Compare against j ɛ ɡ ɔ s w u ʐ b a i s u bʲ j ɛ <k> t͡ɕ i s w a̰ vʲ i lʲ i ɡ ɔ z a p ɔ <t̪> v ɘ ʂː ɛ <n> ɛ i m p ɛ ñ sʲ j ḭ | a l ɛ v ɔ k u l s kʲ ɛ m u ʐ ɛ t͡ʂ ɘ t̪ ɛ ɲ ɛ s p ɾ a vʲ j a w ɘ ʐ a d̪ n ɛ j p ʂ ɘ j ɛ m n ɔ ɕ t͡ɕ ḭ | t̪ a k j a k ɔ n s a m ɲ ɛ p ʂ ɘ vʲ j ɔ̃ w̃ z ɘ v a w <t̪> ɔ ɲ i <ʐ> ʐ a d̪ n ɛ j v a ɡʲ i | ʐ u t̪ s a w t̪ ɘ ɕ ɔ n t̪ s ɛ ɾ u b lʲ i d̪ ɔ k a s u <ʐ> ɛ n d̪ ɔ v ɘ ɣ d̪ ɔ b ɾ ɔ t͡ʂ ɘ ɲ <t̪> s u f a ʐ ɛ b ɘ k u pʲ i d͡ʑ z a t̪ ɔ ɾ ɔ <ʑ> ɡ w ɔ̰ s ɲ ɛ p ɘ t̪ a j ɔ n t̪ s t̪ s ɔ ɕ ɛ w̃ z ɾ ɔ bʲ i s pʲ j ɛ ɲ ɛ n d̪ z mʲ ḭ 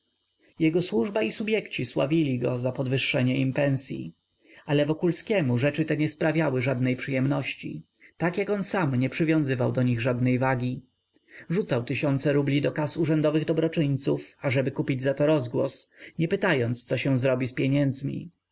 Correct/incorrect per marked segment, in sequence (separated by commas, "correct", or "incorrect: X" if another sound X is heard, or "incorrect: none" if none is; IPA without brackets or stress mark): correct, incorrect: d̪, incorrect: ɲ, incorrect: d̪, incorrect: ɣ, correct, correct, incorrect: z